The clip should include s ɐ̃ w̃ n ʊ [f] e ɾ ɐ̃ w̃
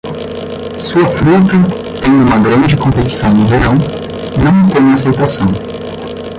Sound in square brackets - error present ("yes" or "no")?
yes